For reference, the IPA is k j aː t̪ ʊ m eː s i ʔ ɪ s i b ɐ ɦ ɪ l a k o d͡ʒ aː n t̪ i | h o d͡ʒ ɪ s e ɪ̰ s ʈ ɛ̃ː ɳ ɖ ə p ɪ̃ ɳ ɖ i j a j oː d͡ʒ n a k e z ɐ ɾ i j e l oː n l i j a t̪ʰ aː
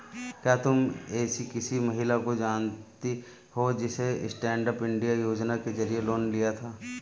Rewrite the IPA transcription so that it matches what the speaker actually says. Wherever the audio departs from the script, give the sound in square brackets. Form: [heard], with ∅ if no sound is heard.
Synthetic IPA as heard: k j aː t̪ ʊ m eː s i [k] ɪ s i [m] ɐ ɦ ɪ l a k o d͡ʒ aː n t̪ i | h o d͡ʒ ɪ s e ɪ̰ s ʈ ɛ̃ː ɳ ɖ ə p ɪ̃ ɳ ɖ i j a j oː d͡ʒ n a k e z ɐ ɾ i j e l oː n l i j a t̪ʰ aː